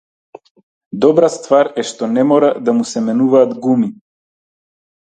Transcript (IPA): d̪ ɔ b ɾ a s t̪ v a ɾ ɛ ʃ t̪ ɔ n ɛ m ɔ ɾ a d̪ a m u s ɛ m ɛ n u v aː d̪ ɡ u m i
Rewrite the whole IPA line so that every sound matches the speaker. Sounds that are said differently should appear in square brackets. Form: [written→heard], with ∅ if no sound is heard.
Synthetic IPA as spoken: d̪ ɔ b ɾ a s t̪ v a ɾ ɛ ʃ t̪ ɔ n ɛ m ɔ ɾ a d̪ a m u s ɛ m ɛ n u v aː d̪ ɡ u m i